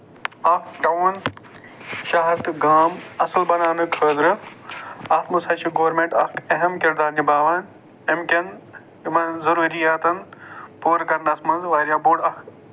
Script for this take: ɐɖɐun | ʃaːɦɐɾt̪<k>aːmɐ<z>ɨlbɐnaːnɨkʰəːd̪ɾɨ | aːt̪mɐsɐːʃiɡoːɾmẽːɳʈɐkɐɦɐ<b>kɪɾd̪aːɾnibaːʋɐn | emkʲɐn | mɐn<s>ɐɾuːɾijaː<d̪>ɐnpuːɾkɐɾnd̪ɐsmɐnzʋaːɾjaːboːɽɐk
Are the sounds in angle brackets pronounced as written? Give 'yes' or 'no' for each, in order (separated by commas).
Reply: no, no, no, no, no